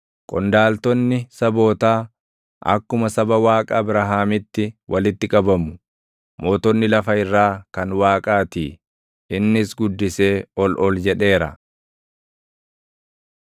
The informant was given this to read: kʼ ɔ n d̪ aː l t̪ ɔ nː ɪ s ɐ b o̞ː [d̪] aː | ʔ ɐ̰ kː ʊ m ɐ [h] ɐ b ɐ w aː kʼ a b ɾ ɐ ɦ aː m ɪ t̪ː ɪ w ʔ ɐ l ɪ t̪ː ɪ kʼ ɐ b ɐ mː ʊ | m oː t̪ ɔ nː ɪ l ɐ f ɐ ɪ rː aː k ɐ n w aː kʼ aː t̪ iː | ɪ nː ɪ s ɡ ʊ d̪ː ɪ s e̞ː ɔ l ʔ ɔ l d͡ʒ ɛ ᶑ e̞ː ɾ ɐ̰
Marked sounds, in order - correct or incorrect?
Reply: incorrect: t̪, incorrect: s

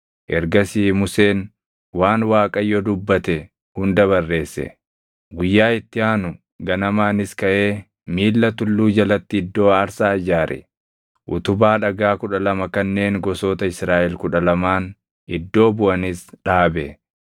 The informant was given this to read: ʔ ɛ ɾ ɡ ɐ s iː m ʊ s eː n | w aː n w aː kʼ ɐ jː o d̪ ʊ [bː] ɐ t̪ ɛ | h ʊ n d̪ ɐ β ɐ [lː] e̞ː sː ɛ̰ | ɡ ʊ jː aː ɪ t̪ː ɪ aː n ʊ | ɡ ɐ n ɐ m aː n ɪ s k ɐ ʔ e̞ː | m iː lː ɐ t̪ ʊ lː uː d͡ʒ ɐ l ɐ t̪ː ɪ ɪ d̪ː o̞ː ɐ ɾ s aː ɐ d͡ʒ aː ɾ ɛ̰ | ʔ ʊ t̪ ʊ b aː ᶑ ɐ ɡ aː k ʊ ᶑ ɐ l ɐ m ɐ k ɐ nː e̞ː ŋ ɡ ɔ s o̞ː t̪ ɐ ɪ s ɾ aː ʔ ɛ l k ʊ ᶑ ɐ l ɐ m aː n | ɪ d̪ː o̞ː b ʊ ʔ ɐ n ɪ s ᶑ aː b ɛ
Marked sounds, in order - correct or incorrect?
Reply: correct, incorrect: rː

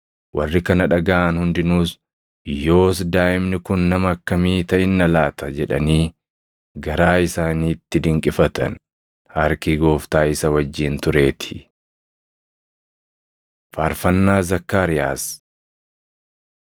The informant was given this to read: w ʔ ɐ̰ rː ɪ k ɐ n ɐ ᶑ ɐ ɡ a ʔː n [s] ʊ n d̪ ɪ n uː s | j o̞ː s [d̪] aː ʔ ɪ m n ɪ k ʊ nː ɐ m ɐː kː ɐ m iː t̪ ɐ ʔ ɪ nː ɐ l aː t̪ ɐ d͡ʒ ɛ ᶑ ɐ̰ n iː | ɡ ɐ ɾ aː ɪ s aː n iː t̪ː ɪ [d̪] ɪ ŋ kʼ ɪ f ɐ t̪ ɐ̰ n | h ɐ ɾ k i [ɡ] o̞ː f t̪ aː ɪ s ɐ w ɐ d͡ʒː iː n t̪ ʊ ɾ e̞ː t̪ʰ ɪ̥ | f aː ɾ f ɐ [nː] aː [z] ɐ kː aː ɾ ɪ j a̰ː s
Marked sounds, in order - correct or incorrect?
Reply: incorrect: h, correct, correct, correct, correct, correct

